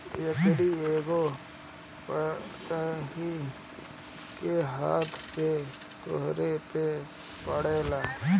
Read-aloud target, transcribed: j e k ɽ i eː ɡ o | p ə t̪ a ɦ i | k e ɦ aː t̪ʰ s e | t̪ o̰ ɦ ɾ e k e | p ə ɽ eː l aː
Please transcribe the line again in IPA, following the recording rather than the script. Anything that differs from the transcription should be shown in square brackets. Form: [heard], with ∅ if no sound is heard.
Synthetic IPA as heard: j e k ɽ i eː ɡ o | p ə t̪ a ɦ i | k e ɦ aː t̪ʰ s e | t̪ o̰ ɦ ɾ e [p] e | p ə ɽ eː l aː

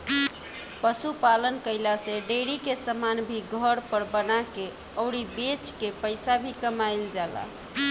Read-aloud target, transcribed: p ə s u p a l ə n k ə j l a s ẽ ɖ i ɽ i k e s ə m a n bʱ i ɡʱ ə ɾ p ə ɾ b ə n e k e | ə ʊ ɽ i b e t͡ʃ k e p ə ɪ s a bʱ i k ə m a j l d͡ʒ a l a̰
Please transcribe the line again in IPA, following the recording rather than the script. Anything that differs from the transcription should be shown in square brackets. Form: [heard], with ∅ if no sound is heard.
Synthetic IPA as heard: p ə s u p a l ə n k ə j l a s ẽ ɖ [e] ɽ i k e s ə m a n bʱ i ɡʱ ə ɾ p ə ɾ b ə n [a] k e | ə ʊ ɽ i b e t͡ʃ k e p ə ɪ s a bʱ i k ə m a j l d͡ʒ a l a̰

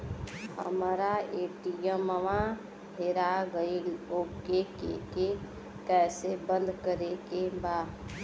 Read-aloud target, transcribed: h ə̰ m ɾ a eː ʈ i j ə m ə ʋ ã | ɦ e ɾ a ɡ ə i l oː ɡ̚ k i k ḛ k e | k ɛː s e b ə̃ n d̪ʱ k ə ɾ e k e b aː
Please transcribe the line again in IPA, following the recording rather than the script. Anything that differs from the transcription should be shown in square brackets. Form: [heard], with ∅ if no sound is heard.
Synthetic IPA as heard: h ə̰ m ɾ a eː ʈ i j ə m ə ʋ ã | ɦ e ɾ a ɡ ə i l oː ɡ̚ k [e] k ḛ k e | k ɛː s e b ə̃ n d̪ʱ k ə ɾ e k e b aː

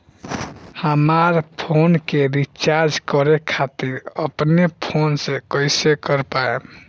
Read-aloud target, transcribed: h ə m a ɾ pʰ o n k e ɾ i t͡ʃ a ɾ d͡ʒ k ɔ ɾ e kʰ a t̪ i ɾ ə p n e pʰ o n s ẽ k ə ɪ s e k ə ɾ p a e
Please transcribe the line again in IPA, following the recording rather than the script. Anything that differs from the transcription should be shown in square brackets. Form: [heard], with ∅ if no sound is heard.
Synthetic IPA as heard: h ə m a ɾ pʰ o n k e ɾ i t͡ʃ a ɾ d͡ʒ k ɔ ɾ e kʰ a t̪ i ɾ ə p n e pʰ o n s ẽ k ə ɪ s e k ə ɾ p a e

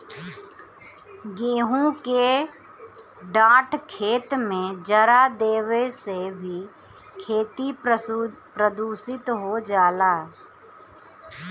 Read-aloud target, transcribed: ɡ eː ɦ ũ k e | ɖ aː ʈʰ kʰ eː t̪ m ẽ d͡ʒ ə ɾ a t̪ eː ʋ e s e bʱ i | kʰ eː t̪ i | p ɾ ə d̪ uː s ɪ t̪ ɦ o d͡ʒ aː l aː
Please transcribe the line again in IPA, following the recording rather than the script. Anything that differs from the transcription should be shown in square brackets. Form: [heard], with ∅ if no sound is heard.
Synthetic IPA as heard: ɡ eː ɦ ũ k e | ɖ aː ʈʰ kʰ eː t̪ m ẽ d͡ʒ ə ɾ a [d̪] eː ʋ e s e bʱ i | kʰ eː t̪ i | p ɾ ə d̪ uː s ɪ t̪ ɦ o d͡ʒ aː l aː

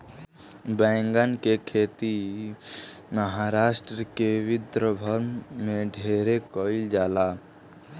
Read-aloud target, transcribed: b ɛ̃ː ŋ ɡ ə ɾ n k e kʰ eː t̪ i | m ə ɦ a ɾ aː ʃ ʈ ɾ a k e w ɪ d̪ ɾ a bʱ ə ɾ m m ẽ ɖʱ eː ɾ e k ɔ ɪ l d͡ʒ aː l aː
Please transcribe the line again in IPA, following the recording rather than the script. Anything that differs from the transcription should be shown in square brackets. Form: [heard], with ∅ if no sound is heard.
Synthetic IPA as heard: b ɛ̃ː ŋ ɡ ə [∅] n k e kʰ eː t̪ i | m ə ɦ a ɾ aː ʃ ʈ ɾ [ə] k e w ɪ d̪ ɾ [ə] bʱ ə ɾ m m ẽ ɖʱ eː ɾ e k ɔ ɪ l d͡ʒ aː l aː

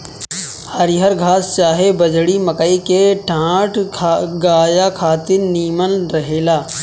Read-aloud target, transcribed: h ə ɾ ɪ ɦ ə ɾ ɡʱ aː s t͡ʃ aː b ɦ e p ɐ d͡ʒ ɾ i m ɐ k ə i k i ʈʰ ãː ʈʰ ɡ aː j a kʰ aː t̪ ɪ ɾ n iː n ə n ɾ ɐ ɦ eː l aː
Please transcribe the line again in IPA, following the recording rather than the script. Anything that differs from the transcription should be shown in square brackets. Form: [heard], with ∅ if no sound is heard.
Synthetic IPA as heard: h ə ɾ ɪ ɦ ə ɾ ɡʱ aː s t͡ʃ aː [∅] ɦ e [b] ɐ d͡ʒ [ɽ] i m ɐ k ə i k [e] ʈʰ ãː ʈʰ ɡ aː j a kʰ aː t̪ ɪ ɾ n iː [m] ə n ɾ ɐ ɦ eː l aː

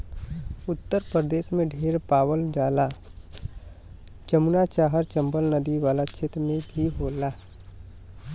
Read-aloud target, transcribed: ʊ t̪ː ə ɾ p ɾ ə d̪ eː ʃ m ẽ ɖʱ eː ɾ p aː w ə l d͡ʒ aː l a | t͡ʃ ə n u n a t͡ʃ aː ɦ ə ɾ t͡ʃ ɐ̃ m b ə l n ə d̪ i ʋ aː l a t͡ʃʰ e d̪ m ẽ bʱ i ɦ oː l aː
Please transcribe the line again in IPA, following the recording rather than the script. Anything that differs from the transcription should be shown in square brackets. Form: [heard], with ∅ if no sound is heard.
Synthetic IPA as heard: ʊ t̪ː ə ɾ p ɾ ə d̪ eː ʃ m ẽ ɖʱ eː ɾ p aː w ə l d͡ʒ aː l a | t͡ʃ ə [m] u n a t͡ʃ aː ɦ ə ɾ t͡ʃ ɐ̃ m b ə l n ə d̪ i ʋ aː l a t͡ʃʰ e [t̪] m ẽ bʱ i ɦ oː l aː

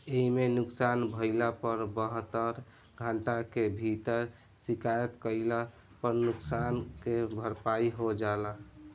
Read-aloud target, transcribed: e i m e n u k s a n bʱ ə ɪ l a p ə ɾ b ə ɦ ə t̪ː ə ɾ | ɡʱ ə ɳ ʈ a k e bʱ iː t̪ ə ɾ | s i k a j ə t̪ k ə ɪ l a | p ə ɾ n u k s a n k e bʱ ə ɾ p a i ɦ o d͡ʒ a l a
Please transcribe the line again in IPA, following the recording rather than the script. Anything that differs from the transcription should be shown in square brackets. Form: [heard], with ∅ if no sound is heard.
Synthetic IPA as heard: e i m e n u k s a n bʱ ə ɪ l a p ə ɾ b ə ɦ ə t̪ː ə ɾ | ɡʱ ə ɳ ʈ a k e bʱ [i] t̪ ə ɾ | s i k a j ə t̪ k ə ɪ l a | p ə ɾ n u k s a n k e bʱ ə ɾ p a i ɦ o d͡ʒ a l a

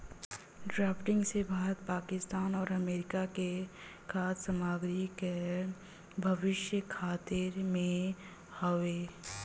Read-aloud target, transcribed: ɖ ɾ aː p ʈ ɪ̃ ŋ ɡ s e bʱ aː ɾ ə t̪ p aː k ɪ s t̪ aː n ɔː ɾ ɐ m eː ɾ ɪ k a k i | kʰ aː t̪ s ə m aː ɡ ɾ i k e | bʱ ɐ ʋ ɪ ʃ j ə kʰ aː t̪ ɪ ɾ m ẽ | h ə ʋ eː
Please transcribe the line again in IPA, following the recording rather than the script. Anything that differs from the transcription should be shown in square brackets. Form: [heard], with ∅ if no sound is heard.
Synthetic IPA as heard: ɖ ɾ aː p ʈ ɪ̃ ŋ ɡ s e bʱ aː ɾ ə t̪ p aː k ɪ s t̪ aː n ɔː ɾ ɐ m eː ɾ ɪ k a k [e] | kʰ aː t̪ s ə m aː ɡ ɾ i k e | bʱ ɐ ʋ ɪ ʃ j ə kʰ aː t̪ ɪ ɾ m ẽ | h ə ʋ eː

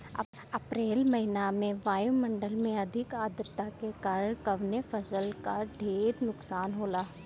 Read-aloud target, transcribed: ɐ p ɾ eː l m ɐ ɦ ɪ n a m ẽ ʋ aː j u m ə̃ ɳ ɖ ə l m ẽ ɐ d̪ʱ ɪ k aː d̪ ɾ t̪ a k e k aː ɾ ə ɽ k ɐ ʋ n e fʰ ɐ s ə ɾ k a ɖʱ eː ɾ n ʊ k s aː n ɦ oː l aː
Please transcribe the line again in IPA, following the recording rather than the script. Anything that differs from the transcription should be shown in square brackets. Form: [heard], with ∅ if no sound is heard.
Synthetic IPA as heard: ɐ p ɾ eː l m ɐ ɦ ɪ n a m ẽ ʋ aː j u m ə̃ ɳ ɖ ə l m ẽ ɐ d̪ʱ ɪ k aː d̪ ɾ t̪ a k e k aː ɾ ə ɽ k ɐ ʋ n e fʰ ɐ s ə [l] k a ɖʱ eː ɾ n ʊ k s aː n ɦ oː l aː

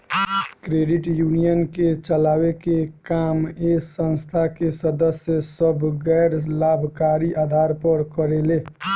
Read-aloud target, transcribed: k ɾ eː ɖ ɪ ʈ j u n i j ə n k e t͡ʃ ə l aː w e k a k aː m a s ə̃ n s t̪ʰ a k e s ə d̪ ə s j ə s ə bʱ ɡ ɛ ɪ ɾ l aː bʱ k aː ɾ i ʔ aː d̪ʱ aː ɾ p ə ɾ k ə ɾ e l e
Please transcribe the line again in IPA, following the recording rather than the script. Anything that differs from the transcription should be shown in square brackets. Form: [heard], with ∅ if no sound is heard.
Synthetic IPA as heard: k ɾ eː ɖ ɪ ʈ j u n i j ə n k e t͡ʃ ə l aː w e k [e] k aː m [e] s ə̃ n s t̪ʰ a k e s ə d̪ ə s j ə s ə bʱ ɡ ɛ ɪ ɾ l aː bʱ k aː ɾ i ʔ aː d̪ʱ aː ɾ p ə ɾ k ə ɾ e l e

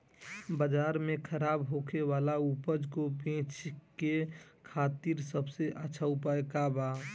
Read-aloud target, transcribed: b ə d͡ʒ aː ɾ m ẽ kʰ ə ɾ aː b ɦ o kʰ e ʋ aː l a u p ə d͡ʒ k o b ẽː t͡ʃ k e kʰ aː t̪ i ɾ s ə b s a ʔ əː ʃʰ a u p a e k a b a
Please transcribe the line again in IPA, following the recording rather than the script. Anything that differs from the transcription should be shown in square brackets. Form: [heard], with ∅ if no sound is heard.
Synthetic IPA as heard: b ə d͡ʒ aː ɾ m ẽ kʰ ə ɾ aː b ɦ o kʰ e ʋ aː l a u p ə d͡ʒ k o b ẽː t͡ʃ k e kʰ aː t̪ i ɾ s ə b s [e] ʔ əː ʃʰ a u p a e k a b a

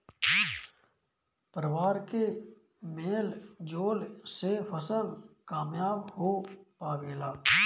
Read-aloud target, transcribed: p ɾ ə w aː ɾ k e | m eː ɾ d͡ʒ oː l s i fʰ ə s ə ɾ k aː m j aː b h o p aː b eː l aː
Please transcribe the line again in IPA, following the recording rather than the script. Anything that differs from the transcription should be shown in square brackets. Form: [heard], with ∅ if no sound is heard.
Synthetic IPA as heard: p ɾ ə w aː ɾ k e | m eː [l] d͡ʒ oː l s [e] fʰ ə s ə [l] k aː m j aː b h o p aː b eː l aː

